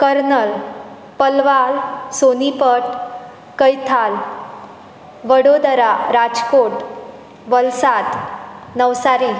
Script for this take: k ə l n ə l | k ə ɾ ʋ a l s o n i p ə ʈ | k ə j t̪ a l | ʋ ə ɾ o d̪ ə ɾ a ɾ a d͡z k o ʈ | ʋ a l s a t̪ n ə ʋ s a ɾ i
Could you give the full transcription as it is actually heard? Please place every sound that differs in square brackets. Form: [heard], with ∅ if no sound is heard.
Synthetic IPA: k ə [ɾ] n ə l | [p] ə [l] ʋ a l s o n i p ə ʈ | k ə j [t̪ʰ] a l | ʋ ə [ɽ] o d̪ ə ɾ a ɾ a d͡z k o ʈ | ʋ [ə] l s a t̪ n ə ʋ s a ɾ i

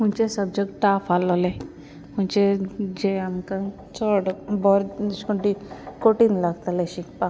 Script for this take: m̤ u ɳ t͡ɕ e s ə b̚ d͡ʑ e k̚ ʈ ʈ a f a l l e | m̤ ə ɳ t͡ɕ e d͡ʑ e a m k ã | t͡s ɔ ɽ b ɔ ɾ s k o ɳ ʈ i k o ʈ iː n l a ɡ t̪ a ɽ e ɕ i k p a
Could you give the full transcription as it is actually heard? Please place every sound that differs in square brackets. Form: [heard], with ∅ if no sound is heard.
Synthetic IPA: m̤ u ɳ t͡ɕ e s ə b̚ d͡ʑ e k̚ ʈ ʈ a f a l l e | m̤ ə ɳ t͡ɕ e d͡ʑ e a m k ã | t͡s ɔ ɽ b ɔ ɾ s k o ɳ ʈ i k o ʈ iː n l a ɡ t̪ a [l] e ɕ i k p a

